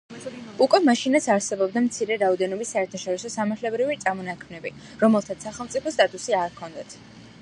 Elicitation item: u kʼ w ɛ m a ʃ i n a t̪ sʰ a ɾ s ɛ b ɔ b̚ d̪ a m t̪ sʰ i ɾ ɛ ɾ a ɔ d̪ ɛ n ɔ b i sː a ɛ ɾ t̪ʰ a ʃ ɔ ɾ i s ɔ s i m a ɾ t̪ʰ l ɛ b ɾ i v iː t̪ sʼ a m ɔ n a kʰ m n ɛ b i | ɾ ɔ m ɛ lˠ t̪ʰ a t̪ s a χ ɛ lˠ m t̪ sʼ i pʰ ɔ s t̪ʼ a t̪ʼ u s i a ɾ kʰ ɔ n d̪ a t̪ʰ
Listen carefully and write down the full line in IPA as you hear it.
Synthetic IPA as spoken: u kʼ w ɛ m a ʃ i n a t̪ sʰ a ɾ s ɛ b ɔ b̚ d̪ a m t̪ sʰ i ɾ ɛ ɾ a ɔ d̪ ɛ n ɔ b i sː a ɛ ɾ t̪ʰ a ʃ ɔ ɾ i s ɔ s a m a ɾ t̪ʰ l ɛ b ɾ i v i t̪ sʼ a m ɔ n a kʰ m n ɛ b i | ɾ ɔ m ɛ lˠ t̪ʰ a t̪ s a χ ɛ lˠ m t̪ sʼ i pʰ ɔ s t̪ʼ a t̪ʼ u s i a ɾ kʰ ɔ n d̪ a t̪ʰ